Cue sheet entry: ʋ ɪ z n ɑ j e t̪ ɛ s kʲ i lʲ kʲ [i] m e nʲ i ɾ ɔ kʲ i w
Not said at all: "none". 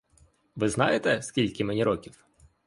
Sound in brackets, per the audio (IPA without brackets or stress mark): ɪ